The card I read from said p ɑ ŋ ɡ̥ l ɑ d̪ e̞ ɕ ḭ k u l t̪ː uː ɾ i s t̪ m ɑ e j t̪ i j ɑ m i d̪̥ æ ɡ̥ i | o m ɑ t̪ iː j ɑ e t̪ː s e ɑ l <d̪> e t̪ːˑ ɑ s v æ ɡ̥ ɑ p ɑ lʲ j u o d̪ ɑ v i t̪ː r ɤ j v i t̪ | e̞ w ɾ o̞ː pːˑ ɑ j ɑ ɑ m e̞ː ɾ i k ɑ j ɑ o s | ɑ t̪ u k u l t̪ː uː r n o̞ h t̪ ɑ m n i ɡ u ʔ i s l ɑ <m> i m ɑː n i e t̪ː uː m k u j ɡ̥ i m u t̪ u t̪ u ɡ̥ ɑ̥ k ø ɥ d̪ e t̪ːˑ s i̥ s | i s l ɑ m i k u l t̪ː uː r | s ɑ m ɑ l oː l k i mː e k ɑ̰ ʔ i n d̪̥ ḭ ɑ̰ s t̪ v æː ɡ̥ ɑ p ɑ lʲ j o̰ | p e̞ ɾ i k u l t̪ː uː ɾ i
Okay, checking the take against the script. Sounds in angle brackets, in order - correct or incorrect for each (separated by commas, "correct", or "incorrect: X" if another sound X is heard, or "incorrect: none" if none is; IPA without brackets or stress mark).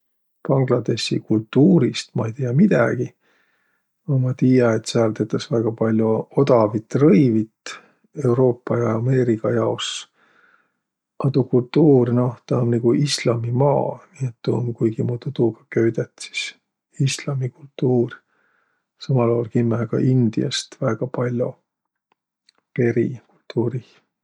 incorrect: t̪, correct